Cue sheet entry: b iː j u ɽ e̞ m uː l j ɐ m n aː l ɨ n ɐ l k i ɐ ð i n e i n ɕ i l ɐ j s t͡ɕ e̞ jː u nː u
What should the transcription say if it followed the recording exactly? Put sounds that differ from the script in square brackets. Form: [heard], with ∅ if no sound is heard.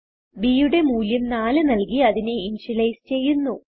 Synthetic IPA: b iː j u ɽ e̞ m uː l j ɐ m n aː l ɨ n ɐ l k i ɐ ð i n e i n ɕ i l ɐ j s t͡ɕ e̞ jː u nː u